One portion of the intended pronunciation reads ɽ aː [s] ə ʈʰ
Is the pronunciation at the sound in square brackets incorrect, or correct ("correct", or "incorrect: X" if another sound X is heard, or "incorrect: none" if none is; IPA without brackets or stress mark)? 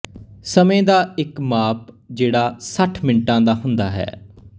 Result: correct